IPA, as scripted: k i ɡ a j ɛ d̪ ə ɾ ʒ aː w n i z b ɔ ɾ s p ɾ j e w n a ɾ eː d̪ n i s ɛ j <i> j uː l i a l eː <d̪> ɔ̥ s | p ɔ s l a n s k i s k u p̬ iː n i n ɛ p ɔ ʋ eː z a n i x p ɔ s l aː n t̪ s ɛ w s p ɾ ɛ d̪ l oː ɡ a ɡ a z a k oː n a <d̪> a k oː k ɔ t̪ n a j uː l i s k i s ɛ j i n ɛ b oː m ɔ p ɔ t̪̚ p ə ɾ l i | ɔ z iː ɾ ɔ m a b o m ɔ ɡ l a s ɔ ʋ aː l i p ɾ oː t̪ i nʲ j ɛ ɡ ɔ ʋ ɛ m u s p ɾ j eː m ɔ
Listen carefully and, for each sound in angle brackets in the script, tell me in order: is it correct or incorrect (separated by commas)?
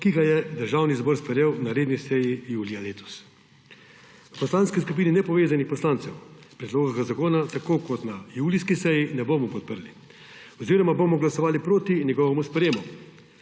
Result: correct, incorrect, incorrect